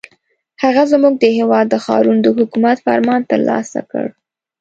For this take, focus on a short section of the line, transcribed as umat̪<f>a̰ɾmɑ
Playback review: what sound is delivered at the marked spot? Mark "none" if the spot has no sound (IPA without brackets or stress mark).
f